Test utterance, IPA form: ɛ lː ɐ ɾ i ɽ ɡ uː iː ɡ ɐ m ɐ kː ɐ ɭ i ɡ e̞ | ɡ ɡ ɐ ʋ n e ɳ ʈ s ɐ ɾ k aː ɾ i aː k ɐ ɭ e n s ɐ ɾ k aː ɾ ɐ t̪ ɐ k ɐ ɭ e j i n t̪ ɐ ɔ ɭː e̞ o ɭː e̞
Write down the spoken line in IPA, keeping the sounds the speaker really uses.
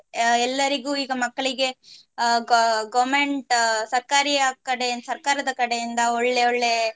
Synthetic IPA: ɛ lː ɐ ɾ i ɡ uː iː ɡ ɐ m ɐ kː ɐ ɭ i ɡ e̞ | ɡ ɡ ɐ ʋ m e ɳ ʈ s ɐ ɾ k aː ɾ i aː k ɐ ɽ e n s ɐ ɾ k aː ɾ ɐ d̪ ɐ k ɐ ɽ e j i n d̪ ɐ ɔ ɭː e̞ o ɭː e̞